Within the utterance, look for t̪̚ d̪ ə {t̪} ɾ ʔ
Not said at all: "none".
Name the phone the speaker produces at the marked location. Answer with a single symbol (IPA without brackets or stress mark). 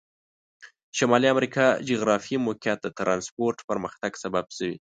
t̪